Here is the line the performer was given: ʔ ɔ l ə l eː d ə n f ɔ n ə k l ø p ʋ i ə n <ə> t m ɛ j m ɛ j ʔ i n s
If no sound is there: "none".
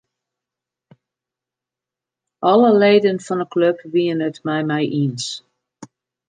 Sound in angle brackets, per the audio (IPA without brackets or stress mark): ə